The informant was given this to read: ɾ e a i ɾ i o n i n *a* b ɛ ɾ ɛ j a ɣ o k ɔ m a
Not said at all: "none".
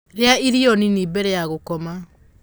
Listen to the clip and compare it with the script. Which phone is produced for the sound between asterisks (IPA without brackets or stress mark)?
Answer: i